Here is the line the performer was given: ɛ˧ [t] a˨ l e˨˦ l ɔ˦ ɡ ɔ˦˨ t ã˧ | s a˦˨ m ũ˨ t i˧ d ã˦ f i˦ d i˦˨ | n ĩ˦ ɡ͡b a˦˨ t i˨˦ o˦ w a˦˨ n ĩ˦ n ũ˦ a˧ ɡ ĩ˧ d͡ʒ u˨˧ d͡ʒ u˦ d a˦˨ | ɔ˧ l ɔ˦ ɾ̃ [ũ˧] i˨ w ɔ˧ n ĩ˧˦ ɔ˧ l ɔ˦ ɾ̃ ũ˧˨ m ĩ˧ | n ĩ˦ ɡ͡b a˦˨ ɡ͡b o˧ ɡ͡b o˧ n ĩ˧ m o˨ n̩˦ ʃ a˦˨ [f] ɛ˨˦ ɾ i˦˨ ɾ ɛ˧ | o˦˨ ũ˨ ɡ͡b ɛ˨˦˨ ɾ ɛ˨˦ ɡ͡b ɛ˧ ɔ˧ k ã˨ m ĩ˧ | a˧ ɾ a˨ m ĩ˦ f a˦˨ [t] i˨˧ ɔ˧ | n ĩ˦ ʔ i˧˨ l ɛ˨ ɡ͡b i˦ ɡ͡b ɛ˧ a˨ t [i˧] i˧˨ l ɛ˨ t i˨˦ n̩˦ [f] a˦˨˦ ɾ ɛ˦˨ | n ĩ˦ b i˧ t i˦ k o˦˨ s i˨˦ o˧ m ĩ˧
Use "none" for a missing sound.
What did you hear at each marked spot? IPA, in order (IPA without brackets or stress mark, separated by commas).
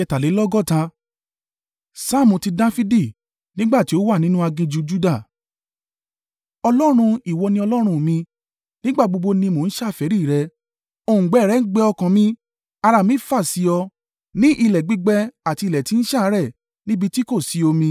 t, ũ˧, f, s, i˧, ʃ